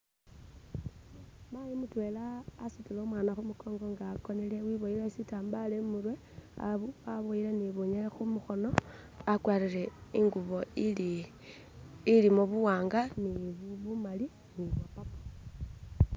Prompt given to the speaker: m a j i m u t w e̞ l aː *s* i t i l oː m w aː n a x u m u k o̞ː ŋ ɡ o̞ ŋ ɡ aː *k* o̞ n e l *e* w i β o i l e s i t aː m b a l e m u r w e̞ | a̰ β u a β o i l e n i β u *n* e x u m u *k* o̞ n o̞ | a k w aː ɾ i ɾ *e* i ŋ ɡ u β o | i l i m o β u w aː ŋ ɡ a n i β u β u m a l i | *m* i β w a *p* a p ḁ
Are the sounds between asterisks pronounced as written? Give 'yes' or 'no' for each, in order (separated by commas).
yes, yes, yes, no, no, yes, no, yes